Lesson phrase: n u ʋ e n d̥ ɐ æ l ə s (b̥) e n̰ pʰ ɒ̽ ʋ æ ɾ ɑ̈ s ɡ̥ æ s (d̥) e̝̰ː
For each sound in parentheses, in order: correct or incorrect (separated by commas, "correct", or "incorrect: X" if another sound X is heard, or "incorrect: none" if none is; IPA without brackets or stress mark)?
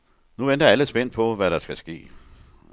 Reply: correct, incorrect: ɡ̥